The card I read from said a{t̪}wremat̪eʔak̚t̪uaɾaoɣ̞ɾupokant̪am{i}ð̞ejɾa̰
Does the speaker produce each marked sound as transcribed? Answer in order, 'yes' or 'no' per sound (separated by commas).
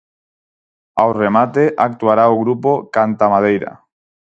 no, no